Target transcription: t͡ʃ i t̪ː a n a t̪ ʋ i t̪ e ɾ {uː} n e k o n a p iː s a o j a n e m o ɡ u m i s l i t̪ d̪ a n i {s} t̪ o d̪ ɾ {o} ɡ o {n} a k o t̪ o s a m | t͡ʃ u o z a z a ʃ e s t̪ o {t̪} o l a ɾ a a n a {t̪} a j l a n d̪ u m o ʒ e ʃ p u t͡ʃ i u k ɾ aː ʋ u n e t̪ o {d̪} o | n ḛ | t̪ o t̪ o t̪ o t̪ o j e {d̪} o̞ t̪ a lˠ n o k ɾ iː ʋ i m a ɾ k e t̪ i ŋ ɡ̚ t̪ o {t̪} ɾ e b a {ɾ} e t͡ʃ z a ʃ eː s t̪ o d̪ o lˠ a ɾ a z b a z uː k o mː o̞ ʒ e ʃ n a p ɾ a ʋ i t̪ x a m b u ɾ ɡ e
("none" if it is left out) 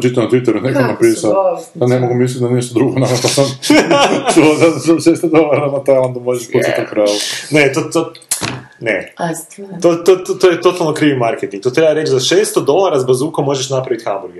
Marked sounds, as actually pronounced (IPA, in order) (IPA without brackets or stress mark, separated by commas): u, ʃ, u, n, d̪, t̪, t̪, t̪, t̪, ɾ